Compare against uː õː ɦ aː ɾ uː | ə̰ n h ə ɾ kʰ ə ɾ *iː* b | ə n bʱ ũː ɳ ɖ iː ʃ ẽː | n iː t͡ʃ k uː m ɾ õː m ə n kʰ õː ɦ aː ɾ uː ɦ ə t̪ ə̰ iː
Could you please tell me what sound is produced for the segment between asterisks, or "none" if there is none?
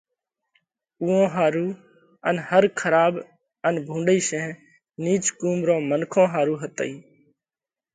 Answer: aː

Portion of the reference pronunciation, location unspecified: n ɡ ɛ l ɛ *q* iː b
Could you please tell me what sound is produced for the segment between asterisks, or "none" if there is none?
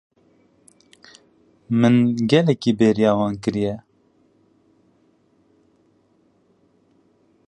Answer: k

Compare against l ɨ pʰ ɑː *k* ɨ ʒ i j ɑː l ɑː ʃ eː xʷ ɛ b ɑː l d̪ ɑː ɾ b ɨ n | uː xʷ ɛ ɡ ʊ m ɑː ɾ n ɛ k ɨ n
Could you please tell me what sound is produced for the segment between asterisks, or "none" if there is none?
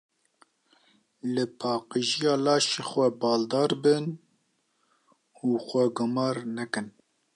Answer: q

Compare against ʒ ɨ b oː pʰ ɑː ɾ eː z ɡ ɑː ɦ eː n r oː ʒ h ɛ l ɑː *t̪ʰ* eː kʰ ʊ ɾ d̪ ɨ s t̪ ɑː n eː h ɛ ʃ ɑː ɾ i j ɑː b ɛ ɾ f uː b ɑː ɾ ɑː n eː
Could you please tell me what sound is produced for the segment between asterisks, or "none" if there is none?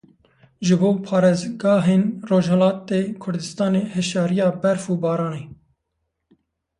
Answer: t̪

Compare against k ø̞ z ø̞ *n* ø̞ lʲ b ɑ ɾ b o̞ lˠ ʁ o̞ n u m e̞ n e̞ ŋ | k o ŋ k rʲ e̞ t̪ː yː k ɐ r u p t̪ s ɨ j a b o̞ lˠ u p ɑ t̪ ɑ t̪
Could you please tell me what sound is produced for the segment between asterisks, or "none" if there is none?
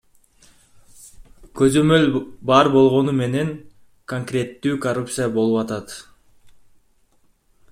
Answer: m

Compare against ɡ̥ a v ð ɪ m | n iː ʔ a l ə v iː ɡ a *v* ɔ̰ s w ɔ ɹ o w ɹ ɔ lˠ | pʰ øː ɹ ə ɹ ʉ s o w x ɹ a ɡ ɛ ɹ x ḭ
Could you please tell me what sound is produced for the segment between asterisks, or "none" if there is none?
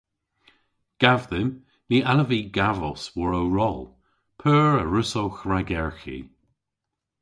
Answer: v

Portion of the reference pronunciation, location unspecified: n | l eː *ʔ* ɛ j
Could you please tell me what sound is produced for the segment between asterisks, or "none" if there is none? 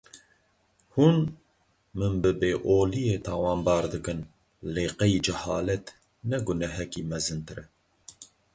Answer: q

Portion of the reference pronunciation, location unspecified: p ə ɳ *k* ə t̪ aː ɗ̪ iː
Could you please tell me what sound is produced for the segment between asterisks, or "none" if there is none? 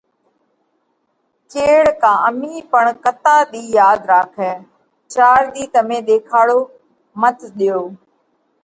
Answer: k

